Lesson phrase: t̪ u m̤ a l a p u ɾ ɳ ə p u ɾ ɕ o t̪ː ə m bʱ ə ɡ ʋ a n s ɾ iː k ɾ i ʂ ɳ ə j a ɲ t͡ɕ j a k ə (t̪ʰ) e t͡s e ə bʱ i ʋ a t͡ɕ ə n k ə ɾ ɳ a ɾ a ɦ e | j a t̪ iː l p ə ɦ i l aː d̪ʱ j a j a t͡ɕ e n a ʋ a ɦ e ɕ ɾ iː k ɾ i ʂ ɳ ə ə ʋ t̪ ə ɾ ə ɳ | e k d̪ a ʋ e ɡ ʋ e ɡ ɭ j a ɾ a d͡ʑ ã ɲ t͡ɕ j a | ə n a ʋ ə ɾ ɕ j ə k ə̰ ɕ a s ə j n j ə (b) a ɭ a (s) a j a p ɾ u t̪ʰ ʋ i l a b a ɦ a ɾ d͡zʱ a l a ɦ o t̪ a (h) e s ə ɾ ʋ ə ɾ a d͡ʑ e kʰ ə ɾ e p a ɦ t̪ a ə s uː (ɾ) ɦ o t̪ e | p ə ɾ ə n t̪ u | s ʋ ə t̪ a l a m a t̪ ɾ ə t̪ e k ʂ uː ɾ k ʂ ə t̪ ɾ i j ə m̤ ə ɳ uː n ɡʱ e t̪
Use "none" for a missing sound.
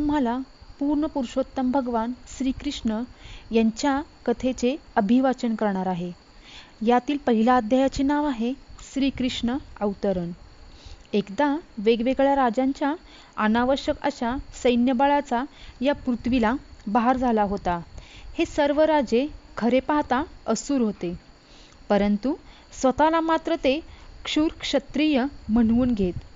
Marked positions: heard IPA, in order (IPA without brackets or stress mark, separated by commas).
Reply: t̪ʰ, b, t͡s, h, ɾ